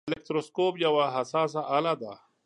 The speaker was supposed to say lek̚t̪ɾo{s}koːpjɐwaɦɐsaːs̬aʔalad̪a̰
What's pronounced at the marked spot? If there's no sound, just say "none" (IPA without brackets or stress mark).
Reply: s